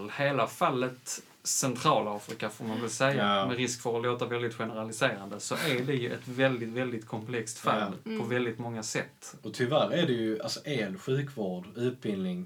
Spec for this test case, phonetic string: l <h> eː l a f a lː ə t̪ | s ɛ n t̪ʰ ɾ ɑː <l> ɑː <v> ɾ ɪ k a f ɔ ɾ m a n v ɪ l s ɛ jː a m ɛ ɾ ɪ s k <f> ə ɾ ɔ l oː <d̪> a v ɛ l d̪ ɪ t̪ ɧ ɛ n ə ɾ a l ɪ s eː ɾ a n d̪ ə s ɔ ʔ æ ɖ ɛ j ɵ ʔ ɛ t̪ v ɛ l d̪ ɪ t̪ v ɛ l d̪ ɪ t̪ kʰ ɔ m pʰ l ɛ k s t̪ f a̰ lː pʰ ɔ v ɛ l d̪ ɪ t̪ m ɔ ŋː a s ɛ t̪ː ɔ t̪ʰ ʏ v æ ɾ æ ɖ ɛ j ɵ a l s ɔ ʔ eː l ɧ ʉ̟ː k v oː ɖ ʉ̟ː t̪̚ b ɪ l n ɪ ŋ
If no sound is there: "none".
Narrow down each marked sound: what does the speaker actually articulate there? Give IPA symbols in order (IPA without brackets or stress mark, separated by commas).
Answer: h, l, f, f, t̪